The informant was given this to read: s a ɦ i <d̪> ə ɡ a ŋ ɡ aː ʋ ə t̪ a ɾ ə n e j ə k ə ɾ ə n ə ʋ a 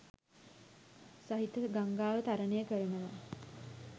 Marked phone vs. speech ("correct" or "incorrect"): incorrect